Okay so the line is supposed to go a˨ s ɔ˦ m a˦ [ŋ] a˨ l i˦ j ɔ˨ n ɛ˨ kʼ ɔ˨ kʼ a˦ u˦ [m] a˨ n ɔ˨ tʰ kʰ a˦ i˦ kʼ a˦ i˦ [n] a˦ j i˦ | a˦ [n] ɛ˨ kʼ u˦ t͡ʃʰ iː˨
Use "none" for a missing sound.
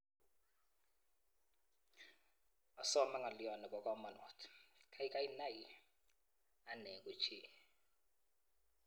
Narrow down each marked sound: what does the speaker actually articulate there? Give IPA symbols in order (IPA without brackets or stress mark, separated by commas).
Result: ŋ, m, n, n